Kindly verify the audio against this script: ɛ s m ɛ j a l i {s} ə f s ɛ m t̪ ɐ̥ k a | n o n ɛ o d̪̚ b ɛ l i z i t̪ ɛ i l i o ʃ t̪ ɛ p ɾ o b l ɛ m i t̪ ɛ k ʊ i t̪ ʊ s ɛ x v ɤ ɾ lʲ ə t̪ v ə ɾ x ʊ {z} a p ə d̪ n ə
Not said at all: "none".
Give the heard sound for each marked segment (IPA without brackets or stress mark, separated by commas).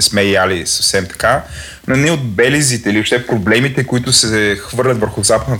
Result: s, z